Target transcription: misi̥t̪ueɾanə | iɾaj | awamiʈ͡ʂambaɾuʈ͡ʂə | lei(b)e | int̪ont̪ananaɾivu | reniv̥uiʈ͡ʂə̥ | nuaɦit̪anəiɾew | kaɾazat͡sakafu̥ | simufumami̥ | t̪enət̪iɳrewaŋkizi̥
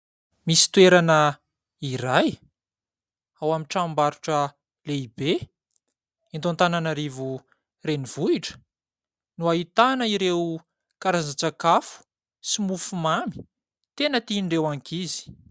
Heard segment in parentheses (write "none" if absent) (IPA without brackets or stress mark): b